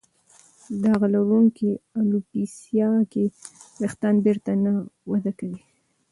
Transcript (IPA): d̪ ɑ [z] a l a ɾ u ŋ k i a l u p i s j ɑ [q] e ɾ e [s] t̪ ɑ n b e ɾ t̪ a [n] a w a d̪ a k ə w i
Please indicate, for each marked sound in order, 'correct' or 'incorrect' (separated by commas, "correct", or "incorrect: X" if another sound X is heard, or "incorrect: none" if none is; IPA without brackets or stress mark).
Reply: incorrect: ɣ, incorrect: k, incorrect: x, correct